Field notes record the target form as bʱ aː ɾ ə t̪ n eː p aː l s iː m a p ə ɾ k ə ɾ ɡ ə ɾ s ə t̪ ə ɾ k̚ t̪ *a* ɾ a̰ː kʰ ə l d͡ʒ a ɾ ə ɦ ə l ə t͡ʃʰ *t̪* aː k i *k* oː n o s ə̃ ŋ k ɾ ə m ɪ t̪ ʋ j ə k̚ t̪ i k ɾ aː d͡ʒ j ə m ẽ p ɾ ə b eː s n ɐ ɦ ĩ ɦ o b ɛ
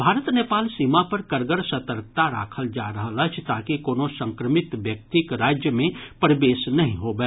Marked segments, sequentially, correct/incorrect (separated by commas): correct, correct, correct